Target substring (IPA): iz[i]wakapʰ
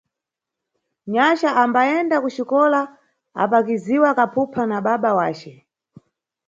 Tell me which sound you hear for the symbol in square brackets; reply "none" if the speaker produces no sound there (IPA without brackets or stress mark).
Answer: i